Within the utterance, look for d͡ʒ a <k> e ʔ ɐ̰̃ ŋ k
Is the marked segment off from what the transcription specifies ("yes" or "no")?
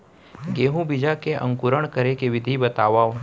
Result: no